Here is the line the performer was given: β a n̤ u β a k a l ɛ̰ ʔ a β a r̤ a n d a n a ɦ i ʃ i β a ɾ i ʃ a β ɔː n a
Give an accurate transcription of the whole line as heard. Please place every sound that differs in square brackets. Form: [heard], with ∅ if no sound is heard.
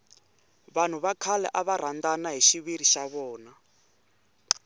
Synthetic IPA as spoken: β a n̤ u β a [kʰ] a l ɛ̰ ʔ a β a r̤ a n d a n a ɦ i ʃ i β [i] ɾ i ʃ a β ɔː n a